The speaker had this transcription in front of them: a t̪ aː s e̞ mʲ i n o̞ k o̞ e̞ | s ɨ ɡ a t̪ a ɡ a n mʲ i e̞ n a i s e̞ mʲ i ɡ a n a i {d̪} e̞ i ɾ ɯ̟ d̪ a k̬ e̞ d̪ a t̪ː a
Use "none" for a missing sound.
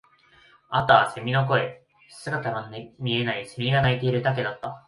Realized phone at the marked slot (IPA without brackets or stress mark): t̪